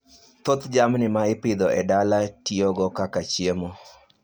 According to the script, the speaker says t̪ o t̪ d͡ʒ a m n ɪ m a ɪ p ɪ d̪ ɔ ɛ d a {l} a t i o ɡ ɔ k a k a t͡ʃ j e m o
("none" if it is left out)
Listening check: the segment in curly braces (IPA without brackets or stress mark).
l